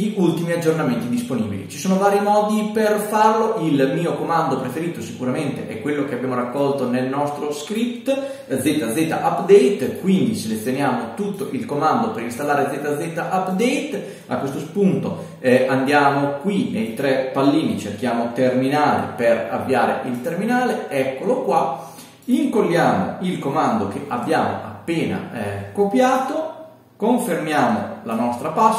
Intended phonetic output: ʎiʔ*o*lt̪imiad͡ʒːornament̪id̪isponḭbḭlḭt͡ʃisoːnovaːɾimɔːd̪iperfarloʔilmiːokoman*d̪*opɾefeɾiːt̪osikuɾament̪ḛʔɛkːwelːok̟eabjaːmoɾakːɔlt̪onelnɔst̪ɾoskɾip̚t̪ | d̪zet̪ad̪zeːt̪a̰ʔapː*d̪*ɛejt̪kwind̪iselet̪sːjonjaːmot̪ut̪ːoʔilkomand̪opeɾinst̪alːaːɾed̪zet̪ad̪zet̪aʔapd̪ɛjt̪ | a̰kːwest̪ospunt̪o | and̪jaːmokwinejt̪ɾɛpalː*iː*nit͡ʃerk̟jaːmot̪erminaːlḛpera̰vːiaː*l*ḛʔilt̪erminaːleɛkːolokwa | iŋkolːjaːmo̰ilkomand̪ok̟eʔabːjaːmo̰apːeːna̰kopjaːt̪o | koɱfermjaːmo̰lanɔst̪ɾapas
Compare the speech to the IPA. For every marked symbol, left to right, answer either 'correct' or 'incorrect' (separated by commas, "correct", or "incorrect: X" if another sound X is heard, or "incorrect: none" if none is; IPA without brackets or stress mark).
incorrect: u, correct, correct, correct, incorrect: ɾ